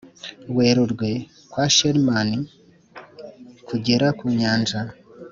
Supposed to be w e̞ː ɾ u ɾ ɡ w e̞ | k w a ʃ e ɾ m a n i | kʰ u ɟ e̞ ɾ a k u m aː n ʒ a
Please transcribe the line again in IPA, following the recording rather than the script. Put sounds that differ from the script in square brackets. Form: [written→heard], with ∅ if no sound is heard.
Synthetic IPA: w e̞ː ɾ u ɾ ɡ w e̞ | k w a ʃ e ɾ m a n i | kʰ u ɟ e̞ ɾ a k u [m→ɲ] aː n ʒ a